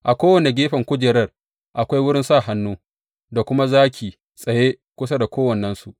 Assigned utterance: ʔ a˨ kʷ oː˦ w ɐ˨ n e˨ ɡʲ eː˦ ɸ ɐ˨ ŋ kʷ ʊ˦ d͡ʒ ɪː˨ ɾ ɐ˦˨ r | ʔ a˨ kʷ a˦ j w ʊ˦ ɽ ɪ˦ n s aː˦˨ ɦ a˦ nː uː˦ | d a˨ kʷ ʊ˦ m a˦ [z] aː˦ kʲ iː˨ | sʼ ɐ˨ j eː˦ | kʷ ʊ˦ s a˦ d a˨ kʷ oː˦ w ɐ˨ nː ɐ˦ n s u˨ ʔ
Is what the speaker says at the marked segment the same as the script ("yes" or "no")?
yes